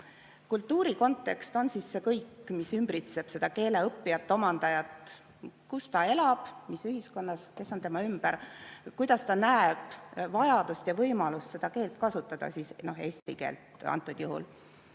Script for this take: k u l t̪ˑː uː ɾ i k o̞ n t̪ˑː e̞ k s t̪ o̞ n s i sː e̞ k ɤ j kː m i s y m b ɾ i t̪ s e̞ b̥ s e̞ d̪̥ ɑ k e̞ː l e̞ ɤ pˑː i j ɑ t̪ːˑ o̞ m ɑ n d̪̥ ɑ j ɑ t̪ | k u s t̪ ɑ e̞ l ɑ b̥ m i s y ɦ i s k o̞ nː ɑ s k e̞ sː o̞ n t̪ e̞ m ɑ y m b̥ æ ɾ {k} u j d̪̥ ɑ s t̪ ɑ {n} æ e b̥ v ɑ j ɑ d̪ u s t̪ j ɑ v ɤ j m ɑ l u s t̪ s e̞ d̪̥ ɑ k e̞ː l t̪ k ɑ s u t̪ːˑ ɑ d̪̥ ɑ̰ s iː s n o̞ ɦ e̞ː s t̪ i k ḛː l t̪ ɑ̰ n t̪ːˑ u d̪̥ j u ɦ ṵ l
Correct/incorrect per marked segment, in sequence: correct, correct

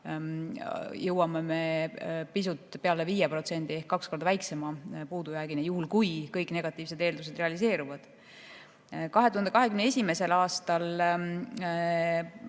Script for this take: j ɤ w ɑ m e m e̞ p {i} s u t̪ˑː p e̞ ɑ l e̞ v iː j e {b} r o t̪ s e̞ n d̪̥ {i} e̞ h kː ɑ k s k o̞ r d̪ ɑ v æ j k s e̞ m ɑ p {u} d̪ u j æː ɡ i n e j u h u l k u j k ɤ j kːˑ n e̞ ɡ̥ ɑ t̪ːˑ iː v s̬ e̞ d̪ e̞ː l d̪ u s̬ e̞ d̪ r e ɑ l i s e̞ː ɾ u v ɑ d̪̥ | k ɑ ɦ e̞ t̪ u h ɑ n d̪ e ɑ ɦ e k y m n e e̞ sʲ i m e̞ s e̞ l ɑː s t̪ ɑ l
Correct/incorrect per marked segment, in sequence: correct, incorrect: p, correct, incorrect: uː

